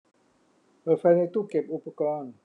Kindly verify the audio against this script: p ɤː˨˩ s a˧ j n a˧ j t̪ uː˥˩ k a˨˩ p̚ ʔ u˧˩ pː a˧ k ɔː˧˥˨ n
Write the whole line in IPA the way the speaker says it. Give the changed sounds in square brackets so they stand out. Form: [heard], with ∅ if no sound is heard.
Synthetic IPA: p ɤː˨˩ [f] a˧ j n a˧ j t̪ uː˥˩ k [e˨˩] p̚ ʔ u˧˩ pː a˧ k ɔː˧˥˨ n